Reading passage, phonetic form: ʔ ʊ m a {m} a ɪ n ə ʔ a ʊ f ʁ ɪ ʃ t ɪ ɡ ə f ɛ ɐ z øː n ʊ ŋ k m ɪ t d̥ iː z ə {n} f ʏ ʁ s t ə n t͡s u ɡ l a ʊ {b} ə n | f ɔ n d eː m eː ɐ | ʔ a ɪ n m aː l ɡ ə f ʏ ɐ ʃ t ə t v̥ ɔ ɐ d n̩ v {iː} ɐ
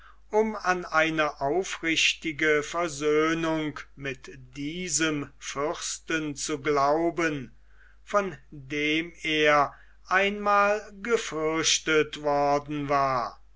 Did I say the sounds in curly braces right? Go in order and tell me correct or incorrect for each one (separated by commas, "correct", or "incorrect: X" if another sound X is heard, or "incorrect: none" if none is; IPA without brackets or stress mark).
incorrect: n, incorrect: m, correct, incorrect: aː